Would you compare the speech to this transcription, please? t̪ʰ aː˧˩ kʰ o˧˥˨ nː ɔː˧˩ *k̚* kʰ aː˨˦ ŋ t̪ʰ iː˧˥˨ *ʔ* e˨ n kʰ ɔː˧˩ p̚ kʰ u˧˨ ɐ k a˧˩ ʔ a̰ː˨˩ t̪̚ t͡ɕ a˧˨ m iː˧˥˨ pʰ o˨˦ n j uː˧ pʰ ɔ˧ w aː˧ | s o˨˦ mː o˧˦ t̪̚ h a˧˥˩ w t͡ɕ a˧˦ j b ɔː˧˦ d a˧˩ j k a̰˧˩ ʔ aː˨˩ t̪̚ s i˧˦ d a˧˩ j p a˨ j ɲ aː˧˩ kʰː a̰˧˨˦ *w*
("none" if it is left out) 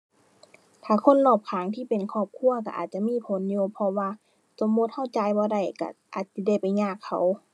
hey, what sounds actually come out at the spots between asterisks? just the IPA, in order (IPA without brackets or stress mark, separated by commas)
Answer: p̚, p, w